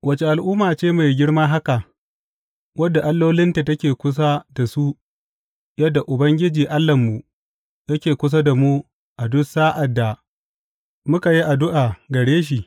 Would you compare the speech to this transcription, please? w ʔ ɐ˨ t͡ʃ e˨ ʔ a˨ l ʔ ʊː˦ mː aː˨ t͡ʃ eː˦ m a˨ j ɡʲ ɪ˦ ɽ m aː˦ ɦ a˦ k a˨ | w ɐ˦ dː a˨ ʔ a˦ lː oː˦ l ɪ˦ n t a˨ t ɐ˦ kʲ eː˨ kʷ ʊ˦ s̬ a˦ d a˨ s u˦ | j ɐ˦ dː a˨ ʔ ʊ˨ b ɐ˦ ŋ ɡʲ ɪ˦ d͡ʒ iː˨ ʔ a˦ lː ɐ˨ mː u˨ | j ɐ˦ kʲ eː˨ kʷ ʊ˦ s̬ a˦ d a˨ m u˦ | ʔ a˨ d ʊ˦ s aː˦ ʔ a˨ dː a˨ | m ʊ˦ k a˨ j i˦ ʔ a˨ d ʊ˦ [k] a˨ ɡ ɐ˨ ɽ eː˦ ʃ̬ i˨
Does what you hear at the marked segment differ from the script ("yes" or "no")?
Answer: yes